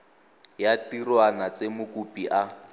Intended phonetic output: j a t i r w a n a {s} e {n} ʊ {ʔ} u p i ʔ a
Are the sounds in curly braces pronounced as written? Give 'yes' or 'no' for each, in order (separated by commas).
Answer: no, no, no